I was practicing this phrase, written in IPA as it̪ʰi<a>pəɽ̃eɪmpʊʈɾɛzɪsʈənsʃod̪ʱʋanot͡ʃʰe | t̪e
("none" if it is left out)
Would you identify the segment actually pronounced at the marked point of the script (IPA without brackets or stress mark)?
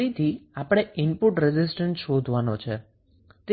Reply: a